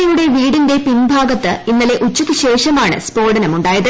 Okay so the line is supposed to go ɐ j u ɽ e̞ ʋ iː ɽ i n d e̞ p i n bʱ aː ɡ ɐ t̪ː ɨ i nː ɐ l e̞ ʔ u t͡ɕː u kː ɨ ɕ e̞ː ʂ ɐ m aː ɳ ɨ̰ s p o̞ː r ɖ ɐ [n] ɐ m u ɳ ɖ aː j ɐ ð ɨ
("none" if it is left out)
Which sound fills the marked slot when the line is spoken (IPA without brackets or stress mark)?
n